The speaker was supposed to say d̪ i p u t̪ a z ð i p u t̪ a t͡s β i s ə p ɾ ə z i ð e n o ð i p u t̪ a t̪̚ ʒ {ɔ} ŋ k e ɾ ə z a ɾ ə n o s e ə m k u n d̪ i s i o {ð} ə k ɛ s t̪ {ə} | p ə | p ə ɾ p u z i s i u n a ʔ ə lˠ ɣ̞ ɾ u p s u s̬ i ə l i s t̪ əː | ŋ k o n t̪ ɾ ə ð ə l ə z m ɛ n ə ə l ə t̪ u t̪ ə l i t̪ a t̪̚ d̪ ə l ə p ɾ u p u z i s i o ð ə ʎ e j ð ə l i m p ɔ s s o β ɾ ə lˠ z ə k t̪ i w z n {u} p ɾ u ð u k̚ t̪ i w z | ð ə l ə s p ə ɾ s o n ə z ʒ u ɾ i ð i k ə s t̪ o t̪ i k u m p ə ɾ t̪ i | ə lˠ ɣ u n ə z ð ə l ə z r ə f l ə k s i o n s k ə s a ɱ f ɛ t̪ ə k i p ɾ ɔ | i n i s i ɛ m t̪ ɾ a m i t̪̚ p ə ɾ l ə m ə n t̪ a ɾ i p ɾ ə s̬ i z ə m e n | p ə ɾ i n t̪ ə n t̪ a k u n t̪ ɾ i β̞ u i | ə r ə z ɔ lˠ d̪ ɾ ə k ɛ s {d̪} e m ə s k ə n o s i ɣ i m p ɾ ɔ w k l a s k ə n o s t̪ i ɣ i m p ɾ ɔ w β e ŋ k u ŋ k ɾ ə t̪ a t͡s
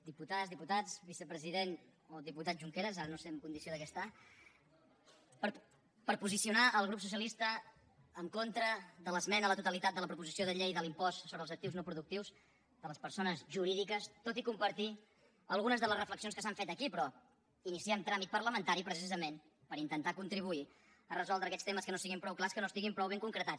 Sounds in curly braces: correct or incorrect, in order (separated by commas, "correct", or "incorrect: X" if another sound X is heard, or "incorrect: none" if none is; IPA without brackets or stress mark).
incorrect: u, correct, incorrect: a, incorrect: o, incorrect: t̪